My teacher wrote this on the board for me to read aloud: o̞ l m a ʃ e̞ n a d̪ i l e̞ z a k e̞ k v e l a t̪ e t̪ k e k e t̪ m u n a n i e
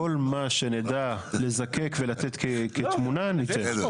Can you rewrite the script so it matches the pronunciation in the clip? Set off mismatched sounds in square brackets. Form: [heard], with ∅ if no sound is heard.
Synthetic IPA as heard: o̞ l m a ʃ e̞ n [e] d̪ [a] l e̞ z a k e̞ k v e l a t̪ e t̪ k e k e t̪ m u n a n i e